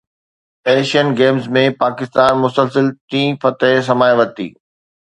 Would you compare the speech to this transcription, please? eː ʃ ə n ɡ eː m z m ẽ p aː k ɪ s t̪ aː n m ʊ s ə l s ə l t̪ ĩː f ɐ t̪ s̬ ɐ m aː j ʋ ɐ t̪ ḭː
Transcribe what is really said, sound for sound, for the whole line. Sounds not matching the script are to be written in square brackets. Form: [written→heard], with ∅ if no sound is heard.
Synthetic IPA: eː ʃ ə n ɡ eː m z m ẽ p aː k ɪ s t̪ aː n m ʊ s ə l s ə l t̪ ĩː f ɐ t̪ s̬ ɐ m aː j ʋ ɐ t̪ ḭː